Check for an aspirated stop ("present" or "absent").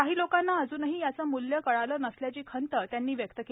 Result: present